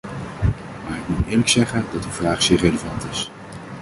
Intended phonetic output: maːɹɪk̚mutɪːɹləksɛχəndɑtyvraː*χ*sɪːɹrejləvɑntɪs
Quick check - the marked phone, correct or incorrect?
correct